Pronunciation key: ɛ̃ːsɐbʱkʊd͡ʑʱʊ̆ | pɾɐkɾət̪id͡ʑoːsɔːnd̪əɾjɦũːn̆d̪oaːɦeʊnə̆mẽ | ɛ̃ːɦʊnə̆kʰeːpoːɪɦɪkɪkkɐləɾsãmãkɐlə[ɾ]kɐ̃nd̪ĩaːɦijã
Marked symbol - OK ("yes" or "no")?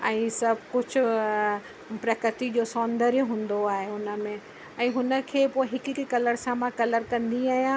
yes